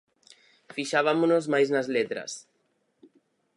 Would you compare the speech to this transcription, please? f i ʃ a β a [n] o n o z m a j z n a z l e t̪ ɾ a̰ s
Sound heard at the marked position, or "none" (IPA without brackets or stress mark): m